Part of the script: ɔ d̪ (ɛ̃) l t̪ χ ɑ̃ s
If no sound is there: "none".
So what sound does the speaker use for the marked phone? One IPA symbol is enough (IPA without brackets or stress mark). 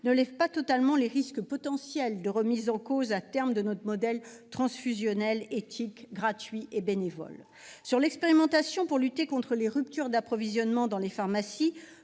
ɛ